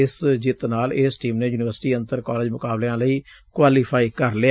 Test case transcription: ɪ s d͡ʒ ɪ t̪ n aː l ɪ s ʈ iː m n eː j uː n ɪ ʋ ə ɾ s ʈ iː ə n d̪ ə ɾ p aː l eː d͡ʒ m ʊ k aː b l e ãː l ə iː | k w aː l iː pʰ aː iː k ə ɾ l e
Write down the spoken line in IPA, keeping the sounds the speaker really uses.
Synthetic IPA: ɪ s d͡ʒ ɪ t̪ n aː l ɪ s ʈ iː m n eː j uː n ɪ ʋ ə ɾ s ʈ iː ə n t̪ ə ɾ k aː l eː d͡ʒ m ʊ k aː b l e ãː l ə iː | k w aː l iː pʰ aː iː k ə ɾ l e